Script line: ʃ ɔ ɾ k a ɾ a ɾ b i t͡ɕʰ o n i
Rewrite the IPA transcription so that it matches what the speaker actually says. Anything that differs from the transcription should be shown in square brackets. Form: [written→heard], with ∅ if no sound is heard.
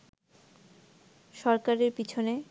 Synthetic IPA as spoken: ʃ ɔ ɾ k a ɾ [a→e] ɾ [b→p] i t͡ɕʰ o n [i→e]